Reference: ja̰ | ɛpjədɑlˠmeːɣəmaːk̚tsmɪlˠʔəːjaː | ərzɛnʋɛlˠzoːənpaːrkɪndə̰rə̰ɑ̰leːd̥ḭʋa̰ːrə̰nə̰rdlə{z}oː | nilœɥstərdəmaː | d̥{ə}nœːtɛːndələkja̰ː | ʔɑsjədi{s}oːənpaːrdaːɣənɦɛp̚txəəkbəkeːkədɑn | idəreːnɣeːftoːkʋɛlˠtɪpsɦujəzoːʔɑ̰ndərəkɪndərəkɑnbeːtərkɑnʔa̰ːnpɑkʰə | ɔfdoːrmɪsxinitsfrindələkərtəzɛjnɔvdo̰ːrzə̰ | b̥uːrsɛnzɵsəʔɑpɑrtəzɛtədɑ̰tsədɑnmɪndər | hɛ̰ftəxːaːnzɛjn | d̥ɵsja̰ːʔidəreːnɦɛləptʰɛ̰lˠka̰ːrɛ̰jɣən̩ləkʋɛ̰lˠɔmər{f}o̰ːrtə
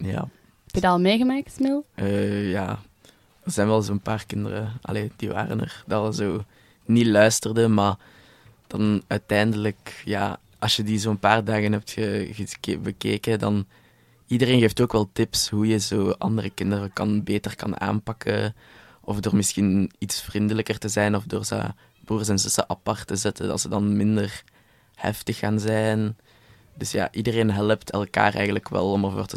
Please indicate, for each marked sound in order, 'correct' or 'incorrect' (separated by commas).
correct, incorrect, incorrect, incorrect